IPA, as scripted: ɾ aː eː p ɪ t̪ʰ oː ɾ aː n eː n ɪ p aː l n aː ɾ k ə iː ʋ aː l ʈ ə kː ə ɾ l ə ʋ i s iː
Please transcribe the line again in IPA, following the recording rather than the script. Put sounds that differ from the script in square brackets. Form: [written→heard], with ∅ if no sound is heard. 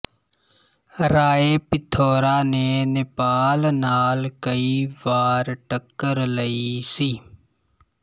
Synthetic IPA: ɾ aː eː p ɪ t̪ʰ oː ɾ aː n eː n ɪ p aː l n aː [ɾ→l] k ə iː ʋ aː [l→ɾ] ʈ ə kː ə ɾ l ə [ʋ→∅] i s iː